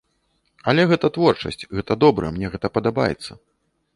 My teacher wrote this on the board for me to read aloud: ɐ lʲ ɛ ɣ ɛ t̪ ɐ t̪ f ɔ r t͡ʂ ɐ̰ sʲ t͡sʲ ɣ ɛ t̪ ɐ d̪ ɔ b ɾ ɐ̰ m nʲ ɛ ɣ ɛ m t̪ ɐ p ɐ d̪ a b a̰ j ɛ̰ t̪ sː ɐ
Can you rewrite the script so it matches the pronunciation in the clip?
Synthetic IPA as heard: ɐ lʲ ɛ ɣ ɛ t̪ ɐ t̪ v ɔ r t͡ʂ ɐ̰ sʲ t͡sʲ ɣ ɛ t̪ ɐ d̪ ɔ b ɾ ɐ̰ m nʲ ɛ ɣ ɛ t̪ ɐ p ɐ d̪ a b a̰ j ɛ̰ t̪ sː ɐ